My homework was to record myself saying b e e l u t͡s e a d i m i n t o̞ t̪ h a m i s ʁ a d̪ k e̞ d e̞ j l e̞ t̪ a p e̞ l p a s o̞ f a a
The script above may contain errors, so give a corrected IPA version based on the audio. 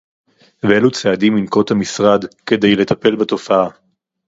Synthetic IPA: v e e l u t͡s e a d i m i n k o̞ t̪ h a m i s ʁ a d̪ k e̞ d e̞ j l e̞ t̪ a p e̞ l b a t o̞ f a a

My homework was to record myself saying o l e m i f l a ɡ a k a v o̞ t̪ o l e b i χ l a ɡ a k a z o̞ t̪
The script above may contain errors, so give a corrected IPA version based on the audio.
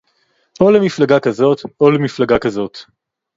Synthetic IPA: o l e m i f l a ɡ a k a z o̞ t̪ o l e m i f l a ɡ a k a z o̞ t̪

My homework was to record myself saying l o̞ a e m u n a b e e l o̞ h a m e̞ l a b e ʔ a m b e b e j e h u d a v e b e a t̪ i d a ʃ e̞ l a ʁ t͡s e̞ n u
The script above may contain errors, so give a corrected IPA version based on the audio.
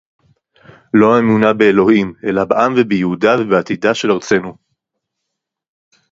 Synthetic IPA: l o̞ a e m u n a b e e l o̞ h i m e̞ l a b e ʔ a m v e b e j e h u d a v e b e a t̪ i d a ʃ e̞ l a ʁ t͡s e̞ n u

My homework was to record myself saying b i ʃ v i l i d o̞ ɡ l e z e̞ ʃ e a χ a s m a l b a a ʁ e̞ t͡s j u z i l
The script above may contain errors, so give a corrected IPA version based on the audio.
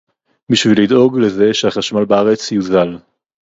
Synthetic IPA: b i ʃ v i l i d o̞ ɡ l e z e̞ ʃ e a χ a ʃ m a l b a a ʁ e̞ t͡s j u z a l

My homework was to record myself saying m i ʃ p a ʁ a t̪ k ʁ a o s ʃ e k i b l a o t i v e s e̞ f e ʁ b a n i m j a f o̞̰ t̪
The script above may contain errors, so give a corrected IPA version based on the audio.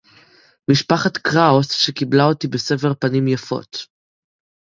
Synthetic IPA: m i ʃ p a χ a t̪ k ʁ a o s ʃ e k i b l a o t i b e s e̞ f e ʁ p a n i m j a f o̞̰ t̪

